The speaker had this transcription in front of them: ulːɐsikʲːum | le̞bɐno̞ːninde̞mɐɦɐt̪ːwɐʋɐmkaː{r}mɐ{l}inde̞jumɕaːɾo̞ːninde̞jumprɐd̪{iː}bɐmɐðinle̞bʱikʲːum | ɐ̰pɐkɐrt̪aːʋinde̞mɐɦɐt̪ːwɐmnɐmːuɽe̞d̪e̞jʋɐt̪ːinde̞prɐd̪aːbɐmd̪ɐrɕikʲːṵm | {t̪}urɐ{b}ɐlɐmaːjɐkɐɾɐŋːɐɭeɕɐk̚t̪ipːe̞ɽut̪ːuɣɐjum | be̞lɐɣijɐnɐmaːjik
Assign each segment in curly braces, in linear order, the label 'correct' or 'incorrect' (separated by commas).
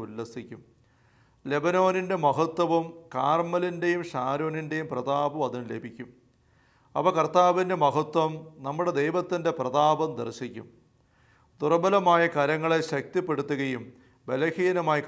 correct, correct, incorrect, incorrect, correct